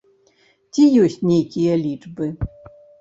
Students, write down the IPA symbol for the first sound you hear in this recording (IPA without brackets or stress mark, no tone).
t͡sʲ